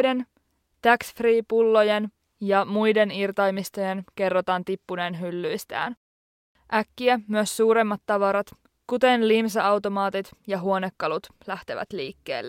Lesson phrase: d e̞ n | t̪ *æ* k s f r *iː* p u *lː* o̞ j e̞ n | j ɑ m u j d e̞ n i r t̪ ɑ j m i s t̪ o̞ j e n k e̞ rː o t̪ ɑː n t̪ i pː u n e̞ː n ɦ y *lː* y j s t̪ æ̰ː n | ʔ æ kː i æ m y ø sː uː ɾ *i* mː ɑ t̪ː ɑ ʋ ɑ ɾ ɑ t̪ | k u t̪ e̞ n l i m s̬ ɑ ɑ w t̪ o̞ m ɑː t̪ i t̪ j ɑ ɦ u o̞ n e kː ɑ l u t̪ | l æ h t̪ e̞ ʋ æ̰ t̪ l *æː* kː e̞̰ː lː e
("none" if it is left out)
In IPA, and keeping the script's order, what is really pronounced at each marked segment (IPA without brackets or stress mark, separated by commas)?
æ, iː, lː, lː, e, iː